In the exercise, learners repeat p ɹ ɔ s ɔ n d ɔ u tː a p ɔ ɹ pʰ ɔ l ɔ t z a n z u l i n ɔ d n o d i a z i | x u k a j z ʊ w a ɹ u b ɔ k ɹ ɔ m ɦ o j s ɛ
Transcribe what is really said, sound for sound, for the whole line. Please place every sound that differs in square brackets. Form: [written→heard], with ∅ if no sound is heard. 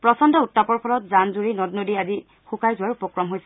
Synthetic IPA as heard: p ɹ ɔ s ɔ n d ɔ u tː a p ɔ ɹ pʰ ɔ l ɔ t z a n z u [l→ɹ] i n ɔ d n o d i a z i | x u k a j z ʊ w a ɹ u [b→p] ɔ k ɹ ɔ m ɦ o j s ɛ

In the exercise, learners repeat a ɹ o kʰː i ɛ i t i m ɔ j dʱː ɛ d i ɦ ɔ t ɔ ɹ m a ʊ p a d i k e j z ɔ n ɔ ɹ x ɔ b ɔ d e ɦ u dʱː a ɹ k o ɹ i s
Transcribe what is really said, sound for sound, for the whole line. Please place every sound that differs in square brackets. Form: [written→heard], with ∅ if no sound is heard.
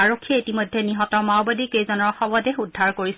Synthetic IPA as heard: a ɹ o kʰː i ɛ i t i m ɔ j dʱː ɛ [d→n] i ɦ ɔ t ɔ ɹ m a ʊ [p→b] a d i k e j z ɔ n ɔ ɹ x ɔ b ɔ d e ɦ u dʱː a ɹ k o ɹ i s

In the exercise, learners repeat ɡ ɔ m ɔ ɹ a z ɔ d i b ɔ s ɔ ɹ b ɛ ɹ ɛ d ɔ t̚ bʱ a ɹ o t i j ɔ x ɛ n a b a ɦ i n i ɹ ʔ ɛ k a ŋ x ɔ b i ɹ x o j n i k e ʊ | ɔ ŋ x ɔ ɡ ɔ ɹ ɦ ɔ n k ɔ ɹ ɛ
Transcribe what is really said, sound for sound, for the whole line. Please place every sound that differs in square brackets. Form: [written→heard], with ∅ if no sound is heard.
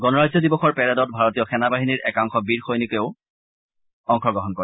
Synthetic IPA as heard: ɡ ɔ [m→n] ɔ ɹ a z ɔ d i b ɔ [s→x] ɔ ɹ [b→p] ɛ ɹ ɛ d ɔ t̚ bʱ a ɹ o t i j ɔ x ɛ n a b a ɦ i n i ɹ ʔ ɛ k a ŋ x ɔ b i ɹ x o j n i k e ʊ | ɔ ŋ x ɔ ɡ ɔ [ɹ→∅] ɦ ɔ n k ɔ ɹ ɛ

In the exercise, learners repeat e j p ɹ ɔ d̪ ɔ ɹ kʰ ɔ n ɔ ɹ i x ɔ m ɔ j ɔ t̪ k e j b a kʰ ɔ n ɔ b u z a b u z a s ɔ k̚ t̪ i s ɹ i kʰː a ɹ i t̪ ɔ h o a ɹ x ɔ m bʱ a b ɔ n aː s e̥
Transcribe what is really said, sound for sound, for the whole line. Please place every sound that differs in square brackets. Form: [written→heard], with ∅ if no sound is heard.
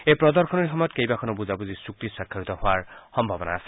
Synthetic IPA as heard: e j p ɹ ɔ d̪ ɔ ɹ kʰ ɔ n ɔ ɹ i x ɔ m ɔ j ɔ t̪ k e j b a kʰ ɔ n ɔ b u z a b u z [a→i] s [ɔ→u] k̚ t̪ i s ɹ [i→a] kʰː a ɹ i t̪ ɔ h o a ɹ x ɔ m bʱ a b ɔ n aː s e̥

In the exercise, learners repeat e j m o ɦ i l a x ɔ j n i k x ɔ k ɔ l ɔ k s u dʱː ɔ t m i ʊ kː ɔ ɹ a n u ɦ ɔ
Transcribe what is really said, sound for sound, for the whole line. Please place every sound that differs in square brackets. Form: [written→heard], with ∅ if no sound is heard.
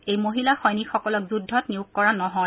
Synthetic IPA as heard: e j m o ɦ i l a x ɔ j n i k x ɔ k ɔ l ɔ k [s→z] u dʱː ɔ t [m→n] i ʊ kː ɔ ɹ a n [u→ɔ] ɦ ɔ

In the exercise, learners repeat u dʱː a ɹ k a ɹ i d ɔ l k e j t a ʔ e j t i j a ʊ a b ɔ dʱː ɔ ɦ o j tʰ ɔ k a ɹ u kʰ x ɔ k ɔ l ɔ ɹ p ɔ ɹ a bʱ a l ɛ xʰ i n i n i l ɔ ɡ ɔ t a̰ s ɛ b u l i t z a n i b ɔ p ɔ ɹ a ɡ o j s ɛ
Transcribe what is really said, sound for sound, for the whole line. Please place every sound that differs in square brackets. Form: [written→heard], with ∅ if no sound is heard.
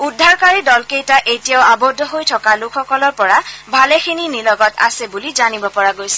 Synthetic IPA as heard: u dʱː a ɹ k a ɹ i d ɔ l k e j t a ʔ e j t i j a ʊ a b ɔ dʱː ɔ ɦ o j tʰ ɔ k a [ɹ→l] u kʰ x ɔ k ɔ l ɔ ɹ p ɔ ɹ a bʱ a l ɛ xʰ i n i n i l ɔ ɡ ɔ t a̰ s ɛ b u l i [t→∅] z a n i b ɔ p ɔ ɹ a ɡ o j s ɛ

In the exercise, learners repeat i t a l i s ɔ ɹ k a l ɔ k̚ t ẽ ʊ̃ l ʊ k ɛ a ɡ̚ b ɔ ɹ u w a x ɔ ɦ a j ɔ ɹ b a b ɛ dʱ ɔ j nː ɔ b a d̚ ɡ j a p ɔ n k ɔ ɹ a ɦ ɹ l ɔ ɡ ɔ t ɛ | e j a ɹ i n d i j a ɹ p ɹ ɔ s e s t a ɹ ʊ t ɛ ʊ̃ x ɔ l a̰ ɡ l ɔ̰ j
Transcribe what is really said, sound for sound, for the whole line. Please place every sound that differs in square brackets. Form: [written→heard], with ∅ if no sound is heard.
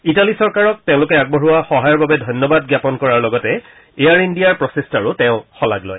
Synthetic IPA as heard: i t a l i s ɔ ɹ k a [l→ɹ] ɔ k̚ t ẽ ʊ̃ l ʊ k ɛ a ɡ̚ b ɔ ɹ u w a x ɔ ɦ a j ɔ ɹ b a b ɛ dʱ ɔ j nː ɔ b a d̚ ɡ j a p ɔ n k ɔ ɹ a [ɦ→∅] ɹ l ɔ ɡ ɔ t ɛ | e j a ɹ i n d i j a ɹ p ɹ ɔ s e s t a ɹ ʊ t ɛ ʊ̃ x ɔ l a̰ ɡ l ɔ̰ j

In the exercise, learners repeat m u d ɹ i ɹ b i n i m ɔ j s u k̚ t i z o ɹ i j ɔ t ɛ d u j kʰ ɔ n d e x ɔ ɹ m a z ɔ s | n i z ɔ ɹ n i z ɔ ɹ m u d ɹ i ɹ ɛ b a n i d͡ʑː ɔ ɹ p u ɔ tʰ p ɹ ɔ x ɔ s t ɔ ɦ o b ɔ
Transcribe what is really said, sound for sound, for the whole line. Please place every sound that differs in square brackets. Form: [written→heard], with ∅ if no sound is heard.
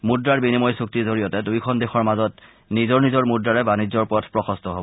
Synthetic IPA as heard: m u d ɹ [i→a] ɹ b i n i m ɔ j s u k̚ t i z o ɹ i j ɔ t ɛ d u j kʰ ɔ n d e x ɔ ɹ m a z ɔ [s→t] | n i z ɔ ɹ n i z ɔ ɹ m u d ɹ [i→a] ɹ ɛ b a n i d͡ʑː ɔ ɹ p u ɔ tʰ p ɹ ɔ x ɔ s t ɔ ɦ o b ɔ

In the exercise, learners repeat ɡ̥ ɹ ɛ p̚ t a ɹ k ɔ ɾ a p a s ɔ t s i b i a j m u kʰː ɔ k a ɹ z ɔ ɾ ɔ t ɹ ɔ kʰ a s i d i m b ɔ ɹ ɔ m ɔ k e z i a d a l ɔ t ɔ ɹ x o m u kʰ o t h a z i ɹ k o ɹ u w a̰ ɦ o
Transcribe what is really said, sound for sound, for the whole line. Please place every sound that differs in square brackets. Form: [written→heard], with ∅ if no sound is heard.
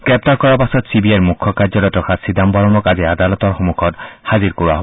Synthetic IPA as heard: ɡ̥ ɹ ɛ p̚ t a ɹ k ɔ [ɾ→ɹ] a p a s ɔ t s i b i a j m u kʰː ɔ k a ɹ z ɔ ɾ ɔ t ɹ ɔ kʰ a s i d [i→a] m b ɔ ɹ ɔ m ɔ k [e→a] z i a d a l ɔ t ɔ ɹ x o m u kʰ [o→ɔ] t h a z i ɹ k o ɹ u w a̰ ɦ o

